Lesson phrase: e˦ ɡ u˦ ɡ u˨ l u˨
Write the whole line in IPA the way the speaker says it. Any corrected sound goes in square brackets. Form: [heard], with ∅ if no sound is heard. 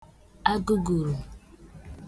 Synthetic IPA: [a˦] ɡ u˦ ɡ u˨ [ɾ] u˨

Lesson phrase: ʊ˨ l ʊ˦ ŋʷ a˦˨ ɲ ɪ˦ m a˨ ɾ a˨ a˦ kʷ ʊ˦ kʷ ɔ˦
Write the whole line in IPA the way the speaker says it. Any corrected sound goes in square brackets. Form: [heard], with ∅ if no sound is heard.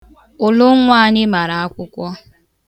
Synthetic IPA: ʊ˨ l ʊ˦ ŋʷ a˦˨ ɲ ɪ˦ m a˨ ɾ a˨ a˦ kʷ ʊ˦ kʷ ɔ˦

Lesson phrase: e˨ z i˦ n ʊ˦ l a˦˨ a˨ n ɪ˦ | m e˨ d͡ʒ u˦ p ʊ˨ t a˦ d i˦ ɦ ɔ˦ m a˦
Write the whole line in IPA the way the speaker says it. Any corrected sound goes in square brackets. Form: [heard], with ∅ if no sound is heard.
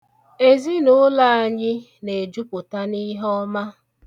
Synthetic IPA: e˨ z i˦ n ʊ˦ l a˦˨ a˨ [ɲ] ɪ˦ | [n] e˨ d͡ʒ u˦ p ʊ˨ t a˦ [n] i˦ ɦ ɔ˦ m a˦

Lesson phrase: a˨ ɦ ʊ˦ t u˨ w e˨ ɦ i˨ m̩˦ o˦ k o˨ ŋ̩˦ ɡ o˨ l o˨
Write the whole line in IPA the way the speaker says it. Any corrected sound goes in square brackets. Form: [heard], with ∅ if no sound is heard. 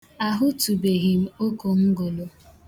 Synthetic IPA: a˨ ɦ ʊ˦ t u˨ [b] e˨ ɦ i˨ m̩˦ o˦ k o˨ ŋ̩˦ ɡ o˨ l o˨

